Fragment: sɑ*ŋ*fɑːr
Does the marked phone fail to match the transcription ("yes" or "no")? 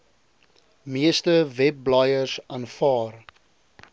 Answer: yes